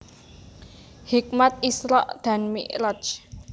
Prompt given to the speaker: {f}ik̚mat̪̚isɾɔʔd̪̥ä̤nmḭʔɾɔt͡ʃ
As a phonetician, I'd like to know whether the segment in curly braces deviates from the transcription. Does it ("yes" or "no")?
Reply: yes